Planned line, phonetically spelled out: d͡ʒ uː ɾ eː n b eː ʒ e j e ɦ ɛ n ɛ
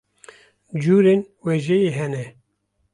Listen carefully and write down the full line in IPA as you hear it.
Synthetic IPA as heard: d͡ʒ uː ɾ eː n w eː ʒ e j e ɦ ɛ n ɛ